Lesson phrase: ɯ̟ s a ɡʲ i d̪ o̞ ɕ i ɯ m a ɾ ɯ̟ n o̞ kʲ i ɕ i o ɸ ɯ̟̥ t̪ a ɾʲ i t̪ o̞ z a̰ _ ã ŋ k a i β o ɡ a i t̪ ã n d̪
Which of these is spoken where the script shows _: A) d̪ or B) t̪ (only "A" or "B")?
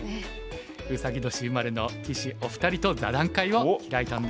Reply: A